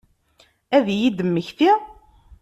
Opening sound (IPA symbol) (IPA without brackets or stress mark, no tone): æ